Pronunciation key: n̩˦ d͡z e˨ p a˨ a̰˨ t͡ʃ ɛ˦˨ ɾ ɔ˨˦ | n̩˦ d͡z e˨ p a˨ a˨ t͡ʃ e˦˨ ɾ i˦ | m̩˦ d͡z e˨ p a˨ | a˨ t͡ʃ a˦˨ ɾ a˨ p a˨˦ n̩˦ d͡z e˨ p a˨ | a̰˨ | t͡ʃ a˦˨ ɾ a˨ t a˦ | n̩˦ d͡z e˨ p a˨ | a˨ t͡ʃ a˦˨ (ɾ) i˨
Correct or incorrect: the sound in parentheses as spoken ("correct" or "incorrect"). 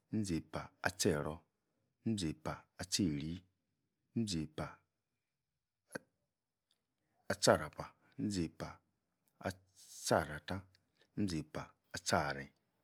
correct